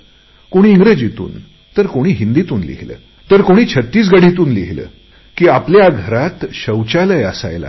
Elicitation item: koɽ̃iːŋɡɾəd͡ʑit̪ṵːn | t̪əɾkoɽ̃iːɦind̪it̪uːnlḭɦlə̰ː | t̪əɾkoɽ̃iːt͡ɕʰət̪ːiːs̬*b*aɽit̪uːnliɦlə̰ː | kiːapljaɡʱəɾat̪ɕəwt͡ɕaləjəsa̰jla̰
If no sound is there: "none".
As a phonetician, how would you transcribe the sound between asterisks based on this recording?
ɡ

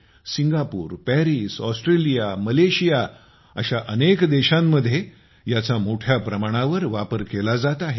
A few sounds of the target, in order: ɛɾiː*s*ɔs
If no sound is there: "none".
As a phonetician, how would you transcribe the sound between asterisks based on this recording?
s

